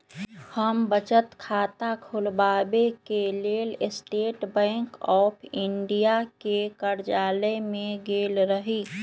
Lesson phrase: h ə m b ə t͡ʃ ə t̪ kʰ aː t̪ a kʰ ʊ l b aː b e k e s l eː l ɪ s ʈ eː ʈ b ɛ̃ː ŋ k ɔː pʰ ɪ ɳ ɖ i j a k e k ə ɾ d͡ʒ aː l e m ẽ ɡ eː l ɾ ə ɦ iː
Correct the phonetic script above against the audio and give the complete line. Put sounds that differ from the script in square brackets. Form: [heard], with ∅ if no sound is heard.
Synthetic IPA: h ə m b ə t͡ʃ ə t̪ kʰ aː t̪ a kʰ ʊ l b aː b e k e [∅] l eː l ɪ s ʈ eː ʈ b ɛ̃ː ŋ k ɔː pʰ ɪ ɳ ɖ i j a k e k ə ɾ d͡ʒ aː l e m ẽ ɡ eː l ɾ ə ɦ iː